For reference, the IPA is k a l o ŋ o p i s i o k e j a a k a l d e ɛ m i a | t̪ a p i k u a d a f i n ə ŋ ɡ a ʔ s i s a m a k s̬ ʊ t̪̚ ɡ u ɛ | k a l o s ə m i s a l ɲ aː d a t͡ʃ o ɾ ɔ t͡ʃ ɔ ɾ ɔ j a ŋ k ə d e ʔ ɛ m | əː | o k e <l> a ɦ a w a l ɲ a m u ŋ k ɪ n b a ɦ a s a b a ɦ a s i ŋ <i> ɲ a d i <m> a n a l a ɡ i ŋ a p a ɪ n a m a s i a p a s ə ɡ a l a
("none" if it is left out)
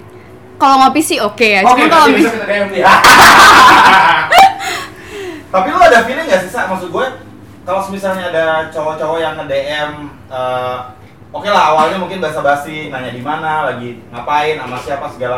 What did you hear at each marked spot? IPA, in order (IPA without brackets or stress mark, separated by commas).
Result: l, a, m